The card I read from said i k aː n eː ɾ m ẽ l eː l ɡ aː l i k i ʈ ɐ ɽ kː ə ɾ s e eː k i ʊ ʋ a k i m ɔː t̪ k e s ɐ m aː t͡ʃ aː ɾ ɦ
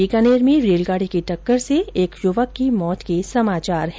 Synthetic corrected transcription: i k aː n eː ɾ m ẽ ɾ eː l ɡ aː ɽ i k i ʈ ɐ kː ə ɾ s e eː k j ʊ ʋ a k i m ɔː t̪ k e s ɐ m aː t͡ʃ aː ɾ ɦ